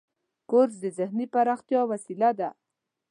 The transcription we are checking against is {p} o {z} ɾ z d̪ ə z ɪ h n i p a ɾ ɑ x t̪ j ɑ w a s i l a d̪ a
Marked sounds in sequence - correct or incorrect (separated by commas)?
incorrect, incorrect